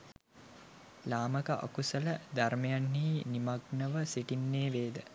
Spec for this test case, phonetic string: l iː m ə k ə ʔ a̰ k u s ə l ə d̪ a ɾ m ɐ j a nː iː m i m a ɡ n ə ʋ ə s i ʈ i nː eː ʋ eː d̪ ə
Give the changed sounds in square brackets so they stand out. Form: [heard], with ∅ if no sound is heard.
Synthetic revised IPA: l [aː] m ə k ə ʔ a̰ k u s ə l ə d̪ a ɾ m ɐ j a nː iː [n] i m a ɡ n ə ʋ ə s i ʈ i nː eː ʋ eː d̪ ə